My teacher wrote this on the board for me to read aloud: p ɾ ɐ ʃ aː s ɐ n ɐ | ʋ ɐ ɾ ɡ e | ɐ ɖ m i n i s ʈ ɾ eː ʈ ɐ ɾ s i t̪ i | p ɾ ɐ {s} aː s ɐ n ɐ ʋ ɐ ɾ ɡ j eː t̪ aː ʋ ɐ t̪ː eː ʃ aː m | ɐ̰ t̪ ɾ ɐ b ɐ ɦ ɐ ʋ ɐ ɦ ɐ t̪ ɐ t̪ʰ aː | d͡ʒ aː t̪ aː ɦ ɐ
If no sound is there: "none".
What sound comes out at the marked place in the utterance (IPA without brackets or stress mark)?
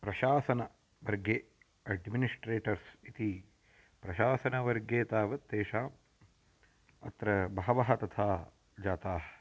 ʃ